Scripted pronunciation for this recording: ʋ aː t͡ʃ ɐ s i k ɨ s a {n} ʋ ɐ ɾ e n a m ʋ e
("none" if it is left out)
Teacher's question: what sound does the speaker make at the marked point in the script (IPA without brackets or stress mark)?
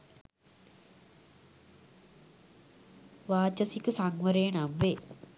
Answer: ŋ